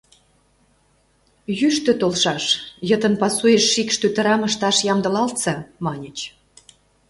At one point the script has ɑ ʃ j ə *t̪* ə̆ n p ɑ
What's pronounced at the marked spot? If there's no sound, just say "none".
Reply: t̪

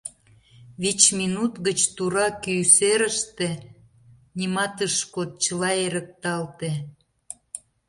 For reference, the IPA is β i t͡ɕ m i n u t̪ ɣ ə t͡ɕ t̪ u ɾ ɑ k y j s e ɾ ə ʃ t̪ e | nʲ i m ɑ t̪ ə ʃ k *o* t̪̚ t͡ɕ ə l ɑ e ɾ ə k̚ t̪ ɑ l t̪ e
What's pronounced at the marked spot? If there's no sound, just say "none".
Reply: o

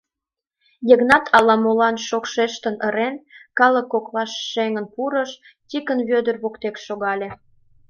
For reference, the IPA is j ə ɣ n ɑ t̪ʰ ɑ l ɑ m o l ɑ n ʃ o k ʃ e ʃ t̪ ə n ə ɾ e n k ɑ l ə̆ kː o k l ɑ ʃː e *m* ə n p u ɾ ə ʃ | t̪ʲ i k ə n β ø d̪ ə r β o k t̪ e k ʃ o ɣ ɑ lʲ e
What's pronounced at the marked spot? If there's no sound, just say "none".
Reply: ŋ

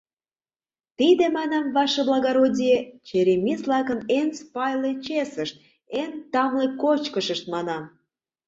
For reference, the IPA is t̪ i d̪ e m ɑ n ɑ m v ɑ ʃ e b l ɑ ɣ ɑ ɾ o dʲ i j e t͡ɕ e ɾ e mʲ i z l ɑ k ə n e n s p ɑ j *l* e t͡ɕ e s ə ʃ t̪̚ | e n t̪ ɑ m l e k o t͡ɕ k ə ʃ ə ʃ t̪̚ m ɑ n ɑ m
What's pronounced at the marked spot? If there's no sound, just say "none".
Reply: l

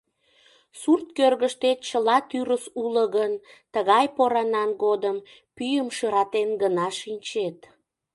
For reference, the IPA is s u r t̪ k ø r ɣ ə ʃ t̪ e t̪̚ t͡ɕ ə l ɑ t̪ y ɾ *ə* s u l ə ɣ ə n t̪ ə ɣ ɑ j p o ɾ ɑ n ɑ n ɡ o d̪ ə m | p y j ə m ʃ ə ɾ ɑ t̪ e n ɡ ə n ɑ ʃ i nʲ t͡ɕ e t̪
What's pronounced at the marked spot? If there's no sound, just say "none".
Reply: ə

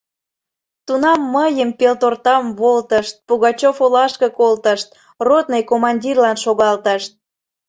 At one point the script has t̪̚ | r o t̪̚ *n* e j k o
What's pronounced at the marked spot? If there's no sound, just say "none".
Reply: n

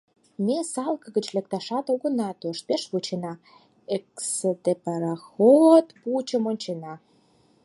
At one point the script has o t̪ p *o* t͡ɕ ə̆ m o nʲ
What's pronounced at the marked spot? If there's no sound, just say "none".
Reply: u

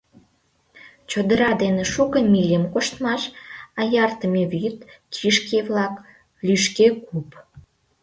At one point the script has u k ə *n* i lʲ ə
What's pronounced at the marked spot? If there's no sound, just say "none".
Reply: m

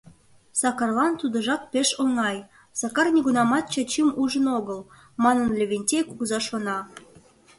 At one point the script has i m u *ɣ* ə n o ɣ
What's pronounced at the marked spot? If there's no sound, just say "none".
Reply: ʒ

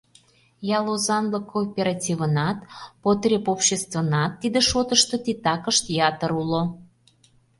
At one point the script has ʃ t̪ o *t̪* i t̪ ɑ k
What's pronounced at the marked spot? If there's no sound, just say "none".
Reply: t̪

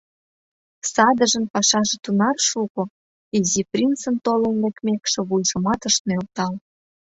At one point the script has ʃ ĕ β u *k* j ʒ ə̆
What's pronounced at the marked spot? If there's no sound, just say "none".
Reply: none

